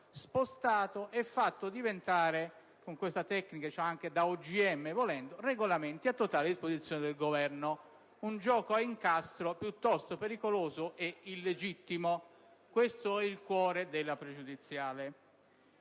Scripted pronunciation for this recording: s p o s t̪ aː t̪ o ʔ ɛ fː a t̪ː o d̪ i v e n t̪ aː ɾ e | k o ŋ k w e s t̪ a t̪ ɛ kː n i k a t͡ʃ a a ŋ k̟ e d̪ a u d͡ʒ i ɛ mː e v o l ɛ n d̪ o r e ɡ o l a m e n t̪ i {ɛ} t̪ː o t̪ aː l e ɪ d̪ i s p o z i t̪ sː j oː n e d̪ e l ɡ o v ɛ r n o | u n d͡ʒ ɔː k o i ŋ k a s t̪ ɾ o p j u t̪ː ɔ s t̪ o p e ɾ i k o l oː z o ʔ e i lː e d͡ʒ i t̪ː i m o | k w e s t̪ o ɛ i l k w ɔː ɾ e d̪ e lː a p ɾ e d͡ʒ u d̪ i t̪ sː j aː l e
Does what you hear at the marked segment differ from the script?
yes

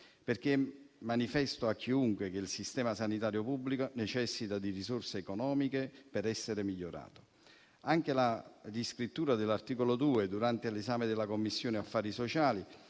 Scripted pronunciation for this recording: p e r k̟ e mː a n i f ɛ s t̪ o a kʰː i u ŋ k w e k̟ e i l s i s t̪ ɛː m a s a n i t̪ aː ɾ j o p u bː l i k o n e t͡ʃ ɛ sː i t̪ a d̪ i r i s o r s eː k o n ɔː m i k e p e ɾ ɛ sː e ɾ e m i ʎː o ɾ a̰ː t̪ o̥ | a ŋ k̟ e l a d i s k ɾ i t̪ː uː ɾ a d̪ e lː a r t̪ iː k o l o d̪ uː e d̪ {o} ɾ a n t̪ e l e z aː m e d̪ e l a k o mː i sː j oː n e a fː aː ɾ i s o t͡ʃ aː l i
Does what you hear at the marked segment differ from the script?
yes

